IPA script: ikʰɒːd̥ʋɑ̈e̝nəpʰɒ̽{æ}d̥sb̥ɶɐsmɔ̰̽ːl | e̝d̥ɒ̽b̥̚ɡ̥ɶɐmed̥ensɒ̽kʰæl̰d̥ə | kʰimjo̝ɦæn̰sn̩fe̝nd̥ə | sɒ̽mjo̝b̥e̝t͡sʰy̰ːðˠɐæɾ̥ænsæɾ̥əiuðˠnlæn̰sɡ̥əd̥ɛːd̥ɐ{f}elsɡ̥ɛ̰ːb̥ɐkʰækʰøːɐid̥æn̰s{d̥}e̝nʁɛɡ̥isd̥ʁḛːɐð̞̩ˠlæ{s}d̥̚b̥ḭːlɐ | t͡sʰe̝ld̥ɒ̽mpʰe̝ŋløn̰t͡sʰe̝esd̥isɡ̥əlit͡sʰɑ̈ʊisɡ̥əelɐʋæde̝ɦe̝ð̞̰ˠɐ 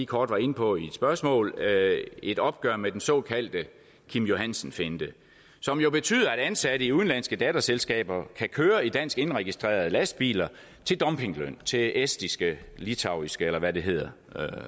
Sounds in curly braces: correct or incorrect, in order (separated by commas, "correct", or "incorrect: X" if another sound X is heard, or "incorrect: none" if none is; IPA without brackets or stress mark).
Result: incorrect: i, incorrect: s, incorrect: ɡ̥, correct